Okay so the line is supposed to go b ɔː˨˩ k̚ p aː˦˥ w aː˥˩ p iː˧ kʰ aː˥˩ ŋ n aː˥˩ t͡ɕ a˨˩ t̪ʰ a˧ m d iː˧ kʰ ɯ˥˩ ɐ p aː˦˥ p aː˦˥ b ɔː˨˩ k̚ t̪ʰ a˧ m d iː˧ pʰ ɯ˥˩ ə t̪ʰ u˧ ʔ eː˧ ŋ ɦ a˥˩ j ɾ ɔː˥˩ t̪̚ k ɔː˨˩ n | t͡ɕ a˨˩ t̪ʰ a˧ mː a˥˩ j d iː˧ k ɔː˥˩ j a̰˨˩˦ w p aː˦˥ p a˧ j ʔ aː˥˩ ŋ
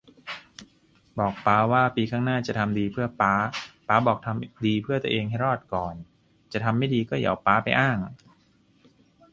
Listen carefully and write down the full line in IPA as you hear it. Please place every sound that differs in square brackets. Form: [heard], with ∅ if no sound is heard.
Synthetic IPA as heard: b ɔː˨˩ k̚ p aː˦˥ w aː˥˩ p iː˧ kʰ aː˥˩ ŋ n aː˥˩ t͡ɕ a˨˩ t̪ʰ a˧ m d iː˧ [pʰ] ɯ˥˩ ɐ p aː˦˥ p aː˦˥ b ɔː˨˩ k̚ t̪ʰ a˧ m d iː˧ pʰ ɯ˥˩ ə [t̪] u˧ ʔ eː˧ ŋ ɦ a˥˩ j ɾ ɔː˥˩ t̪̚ k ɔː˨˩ n | t͡ɕ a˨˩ t̪ʰ a˧ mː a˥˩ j d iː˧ k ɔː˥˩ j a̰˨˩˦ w p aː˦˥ p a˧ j ʔ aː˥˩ ŋ